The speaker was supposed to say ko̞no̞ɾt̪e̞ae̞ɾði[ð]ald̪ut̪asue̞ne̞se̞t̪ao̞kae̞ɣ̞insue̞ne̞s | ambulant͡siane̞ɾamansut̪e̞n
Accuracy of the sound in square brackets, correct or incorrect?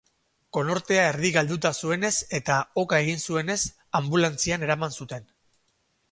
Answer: incorrect